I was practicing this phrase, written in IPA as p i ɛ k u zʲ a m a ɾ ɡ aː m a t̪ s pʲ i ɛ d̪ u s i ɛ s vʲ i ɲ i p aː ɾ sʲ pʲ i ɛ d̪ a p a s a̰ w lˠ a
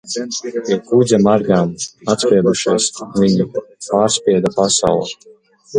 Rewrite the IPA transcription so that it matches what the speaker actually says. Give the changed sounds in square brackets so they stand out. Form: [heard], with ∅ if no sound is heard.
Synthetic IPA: p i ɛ k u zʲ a m a ɾ ɡ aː m a t̪ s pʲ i ɛ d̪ u [ʃ] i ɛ s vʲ i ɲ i p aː ɾ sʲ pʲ i ɛ d̪ a p a s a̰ w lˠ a